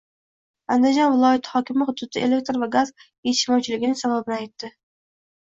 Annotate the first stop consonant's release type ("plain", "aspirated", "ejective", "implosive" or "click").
plain